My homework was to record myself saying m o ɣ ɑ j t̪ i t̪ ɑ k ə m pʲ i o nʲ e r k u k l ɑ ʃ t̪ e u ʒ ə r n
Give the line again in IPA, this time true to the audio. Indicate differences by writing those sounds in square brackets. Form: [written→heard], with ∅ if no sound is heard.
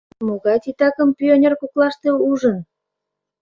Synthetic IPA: m o ɣ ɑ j t̪ i t̪ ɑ k ə m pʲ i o nʲ e r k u k l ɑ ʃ t̪ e u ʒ ə [r→∅] n